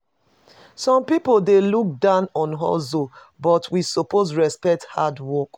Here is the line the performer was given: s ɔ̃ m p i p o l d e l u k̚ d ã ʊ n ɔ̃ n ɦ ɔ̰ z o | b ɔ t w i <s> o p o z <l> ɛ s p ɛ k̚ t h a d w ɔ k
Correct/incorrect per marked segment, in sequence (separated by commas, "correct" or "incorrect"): correct, incorrect